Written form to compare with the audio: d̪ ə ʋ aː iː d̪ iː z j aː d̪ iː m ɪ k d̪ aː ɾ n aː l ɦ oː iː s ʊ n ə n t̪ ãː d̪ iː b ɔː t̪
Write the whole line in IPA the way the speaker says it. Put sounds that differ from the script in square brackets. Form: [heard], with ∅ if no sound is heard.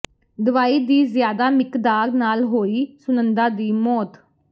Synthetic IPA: d̪ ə ʋ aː iː d̪ iː z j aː d̪ [aː] m ɪ k d̪ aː ɾ n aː l ɦ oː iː s ʊ n ə n [d̪] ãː d̪ iː [m] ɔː t̪

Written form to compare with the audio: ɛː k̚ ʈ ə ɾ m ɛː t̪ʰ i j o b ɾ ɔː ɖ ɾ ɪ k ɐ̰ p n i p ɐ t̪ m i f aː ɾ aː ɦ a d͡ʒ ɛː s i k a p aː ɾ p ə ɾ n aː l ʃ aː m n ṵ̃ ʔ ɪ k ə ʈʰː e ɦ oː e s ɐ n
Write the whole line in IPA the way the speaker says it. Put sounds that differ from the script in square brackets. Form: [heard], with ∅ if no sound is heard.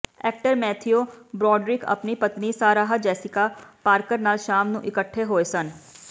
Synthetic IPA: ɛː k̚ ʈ ə ɾ m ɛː t̪ʰ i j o b ɾ ɔː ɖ ɾ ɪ k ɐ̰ p n i p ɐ t̪ [n] i [s] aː ɾ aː ɦ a d͡ʒ ɛː s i k a p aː ɾ [k] ə ɾ n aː l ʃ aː m n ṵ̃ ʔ ɪ k ə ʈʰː e ɦ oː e s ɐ n

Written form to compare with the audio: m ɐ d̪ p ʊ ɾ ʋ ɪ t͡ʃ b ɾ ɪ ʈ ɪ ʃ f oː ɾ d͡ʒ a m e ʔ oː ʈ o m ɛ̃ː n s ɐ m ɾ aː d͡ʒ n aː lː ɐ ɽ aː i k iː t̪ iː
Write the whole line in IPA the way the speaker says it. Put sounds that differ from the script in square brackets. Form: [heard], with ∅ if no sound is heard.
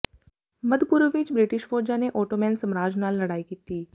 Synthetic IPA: m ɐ d̪ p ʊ ɾ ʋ ɪ t͡ʃ b ɾ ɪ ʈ ɪ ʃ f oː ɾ d͡ʒ a [n] e ʔ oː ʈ o m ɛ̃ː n s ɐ m ɾ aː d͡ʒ n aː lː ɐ ɽ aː i k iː t̪ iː

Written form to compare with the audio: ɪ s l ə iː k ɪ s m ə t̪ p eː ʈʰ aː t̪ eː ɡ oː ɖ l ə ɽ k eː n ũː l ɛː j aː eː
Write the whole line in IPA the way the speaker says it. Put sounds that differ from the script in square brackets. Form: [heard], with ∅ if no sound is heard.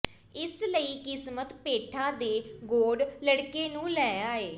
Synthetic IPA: ɪ s l ə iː k ɪ s m ə t̪ p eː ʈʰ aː [d̪] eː ɡ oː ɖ l ə ɽ k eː n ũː l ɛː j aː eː

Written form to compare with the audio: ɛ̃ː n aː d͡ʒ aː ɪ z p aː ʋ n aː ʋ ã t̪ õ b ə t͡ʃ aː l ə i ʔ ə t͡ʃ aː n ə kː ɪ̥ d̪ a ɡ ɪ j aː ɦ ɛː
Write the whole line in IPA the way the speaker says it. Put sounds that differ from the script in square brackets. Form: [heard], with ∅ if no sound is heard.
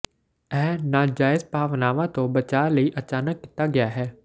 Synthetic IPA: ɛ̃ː n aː d͡ʒ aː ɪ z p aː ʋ n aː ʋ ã t̪ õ b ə t͡ʃ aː l ə i ʔ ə t͡ʃ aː n ə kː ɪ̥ [t̪] a ɡ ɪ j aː ɦ ɛː

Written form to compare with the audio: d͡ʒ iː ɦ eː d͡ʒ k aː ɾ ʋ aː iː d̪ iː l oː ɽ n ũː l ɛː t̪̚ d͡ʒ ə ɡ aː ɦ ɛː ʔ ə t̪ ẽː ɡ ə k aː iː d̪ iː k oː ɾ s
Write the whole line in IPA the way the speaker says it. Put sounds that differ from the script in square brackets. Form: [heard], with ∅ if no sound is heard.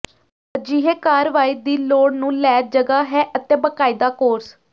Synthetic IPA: d͡ʒ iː ɦ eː [∅] k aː ɾ ʋ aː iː d̪ iː l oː ɽ n ũː l ɛː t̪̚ d͡ʒ ə ɡ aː ɦ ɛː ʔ ə t̪ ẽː [b] ə k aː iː d̪ [aː] k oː ɾ s

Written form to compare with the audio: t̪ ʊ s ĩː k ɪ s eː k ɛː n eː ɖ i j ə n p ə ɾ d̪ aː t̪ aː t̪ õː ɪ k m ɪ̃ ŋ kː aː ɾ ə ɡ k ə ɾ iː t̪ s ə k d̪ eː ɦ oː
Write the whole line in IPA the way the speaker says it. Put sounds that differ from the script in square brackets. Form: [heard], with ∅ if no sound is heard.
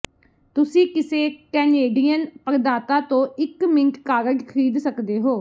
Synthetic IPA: t̪ ʊ s ĩː k ɪ s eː k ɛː n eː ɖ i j ə n p ə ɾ d̪ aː t̪ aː t̪ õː ɪ k m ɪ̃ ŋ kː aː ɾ ə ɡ [kʰ] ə ɾ iː [d̪] s ə k d̪ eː ɦ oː

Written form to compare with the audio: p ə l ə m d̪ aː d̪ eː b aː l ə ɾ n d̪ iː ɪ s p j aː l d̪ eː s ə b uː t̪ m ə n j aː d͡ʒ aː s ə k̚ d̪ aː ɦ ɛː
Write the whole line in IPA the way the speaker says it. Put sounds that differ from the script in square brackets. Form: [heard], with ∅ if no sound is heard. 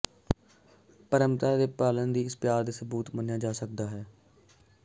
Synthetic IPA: p ə [ɾ] ə m [t̪] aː d̪ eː [p] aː l ə [∅] n d̪ iː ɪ s p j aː [ɾ] d̪ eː s ə b uː t̪ m ə n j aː d͡ʒ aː s ə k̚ d̪ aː ɦ ɛː

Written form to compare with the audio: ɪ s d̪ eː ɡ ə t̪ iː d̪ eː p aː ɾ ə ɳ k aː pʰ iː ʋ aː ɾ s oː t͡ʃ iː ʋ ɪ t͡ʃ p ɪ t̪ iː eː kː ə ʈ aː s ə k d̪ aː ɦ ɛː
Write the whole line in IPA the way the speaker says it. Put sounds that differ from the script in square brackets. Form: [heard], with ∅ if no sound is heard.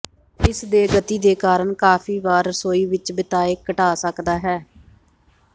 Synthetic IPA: ɪ s d̪ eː ɡ ə t̪ iː d̪ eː [k] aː ɾ ə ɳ k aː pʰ iː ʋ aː ɾ s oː [∅] iː ʋ ɪ t͡ʃ [b] ɪ t̪ [aː] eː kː ə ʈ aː s ə k d̪ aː ɦ ɛː

